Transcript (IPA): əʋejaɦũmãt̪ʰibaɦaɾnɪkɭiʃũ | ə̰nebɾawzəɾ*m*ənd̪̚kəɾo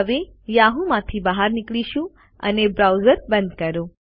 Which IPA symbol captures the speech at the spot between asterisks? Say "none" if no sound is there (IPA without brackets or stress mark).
b